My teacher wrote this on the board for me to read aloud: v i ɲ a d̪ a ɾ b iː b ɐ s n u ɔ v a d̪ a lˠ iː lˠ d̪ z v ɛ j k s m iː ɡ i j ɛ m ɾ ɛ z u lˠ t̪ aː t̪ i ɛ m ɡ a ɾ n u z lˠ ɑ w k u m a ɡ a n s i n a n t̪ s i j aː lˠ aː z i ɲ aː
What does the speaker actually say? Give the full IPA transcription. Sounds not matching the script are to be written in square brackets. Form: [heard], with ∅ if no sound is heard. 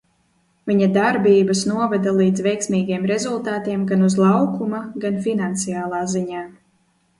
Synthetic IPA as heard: v i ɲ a d̪ a ɾ b iː b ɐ s n u ɔ v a d̪ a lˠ iː [∅] d̪ z v ɛ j k s m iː ɡ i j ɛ m ɾ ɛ z u lˠ t̪ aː t̪ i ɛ m ɡ a [∅] n u z lˠ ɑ w k u m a ɡ a n [f] i n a n t̪ s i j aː lˠ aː z i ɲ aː

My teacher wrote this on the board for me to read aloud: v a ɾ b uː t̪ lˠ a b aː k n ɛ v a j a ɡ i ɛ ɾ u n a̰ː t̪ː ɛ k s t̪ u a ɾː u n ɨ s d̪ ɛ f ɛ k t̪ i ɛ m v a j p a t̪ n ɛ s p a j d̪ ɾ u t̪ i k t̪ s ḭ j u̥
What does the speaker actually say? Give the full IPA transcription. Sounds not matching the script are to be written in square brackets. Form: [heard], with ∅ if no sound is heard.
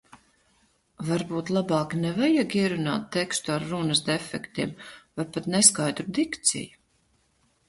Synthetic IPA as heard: v a ɾ b uː t̪ lˠ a b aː k n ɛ v a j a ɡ i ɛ ɾ u n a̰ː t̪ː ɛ k s t̪ u a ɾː u n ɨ s d̪ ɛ f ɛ k t̪ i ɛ m v a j p a t̪ n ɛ s [k] a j d̪ ɾ u [d̪] i k t̪ s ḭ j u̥

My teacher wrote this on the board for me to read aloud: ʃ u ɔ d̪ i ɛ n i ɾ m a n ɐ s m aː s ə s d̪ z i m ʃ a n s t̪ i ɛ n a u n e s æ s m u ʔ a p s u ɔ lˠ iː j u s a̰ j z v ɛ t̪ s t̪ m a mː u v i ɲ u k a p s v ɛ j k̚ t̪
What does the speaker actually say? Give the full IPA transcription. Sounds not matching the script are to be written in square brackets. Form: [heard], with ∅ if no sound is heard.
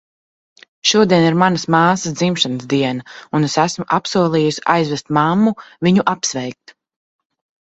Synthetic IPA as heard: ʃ u ɔ d̪ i ɛ n i ɾ m a n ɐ s m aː s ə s d̪ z i m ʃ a n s [d̪] i ɛ n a u n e s æ s m u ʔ a p s u ɔ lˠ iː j u s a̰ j z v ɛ [∅] s t̪ m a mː u v i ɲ u [ʔ] a p s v ɛ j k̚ t̪

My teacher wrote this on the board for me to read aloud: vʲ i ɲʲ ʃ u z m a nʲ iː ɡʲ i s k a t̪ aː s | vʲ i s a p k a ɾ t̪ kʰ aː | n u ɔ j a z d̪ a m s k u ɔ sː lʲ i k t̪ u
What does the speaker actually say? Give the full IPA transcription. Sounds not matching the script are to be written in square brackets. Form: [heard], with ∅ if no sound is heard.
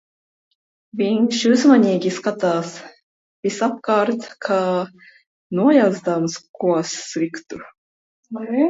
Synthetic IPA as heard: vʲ i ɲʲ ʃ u z m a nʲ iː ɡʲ i s k a t̪ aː s | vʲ i s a p k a ɾ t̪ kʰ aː | n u ɔ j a z d̪ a m s k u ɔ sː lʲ i k t̪ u

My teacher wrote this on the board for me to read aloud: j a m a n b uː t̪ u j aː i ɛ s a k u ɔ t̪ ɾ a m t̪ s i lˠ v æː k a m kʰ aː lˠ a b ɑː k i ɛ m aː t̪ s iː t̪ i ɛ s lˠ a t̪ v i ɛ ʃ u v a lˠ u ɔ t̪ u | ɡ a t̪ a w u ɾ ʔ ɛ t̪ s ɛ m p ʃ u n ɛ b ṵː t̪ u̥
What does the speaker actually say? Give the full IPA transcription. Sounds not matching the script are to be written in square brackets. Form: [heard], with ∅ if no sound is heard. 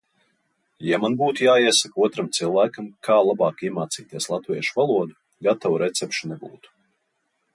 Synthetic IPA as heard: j a m a n b uː t̪ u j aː i ɛ s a k u ɔ t̪ ɾ a m t̪ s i lˠ v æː k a m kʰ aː lˠ a b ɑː k i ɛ m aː t̪ s iː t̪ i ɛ s lˠ a t̪ v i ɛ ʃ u v a lˠ u ɔ [d̪] u | ɡ a t̪ a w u ɾ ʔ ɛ t̪ s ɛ [∅] p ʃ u n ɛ b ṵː t̪ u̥

